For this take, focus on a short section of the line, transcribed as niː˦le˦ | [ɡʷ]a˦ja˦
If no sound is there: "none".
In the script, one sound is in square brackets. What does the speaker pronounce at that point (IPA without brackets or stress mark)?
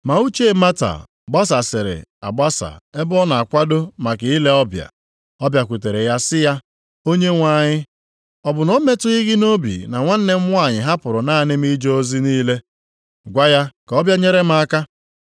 ɡʷ